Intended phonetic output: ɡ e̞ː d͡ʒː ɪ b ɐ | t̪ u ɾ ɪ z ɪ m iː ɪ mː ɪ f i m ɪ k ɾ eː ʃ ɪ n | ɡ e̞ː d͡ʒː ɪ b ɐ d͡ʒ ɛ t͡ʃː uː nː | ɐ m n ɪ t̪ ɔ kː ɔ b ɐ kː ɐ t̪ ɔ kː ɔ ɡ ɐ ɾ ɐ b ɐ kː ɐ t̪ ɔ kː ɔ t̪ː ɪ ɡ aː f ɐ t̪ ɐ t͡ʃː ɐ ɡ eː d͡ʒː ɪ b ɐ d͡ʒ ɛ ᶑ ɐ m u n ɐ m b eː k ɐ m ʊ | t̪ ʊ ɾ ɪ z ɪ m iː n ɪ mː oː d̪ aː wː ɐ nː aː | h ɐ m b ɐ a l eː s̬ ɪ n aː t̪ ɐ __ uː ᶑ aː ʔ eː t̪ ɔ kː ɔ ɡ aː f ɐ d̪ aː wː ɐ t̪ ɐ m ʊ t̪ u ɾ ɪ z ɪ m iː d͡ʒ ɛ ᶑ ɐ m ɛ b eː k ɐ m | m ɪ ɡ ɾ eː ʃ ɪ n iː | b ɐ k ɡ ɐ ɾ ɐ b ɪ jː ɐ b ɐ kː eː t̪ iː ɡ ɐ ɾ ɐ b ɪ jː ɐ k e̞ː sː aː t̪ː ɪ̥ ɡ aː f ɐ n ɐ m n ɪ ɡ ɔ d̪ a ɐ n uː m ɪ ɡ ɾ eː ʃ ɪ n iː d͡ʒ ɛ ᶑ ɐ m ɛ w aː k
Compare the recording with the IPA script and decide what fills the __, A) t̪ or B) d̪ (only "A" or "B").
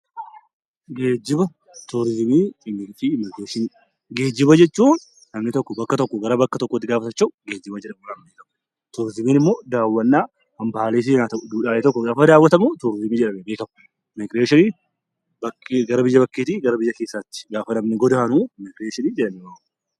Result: B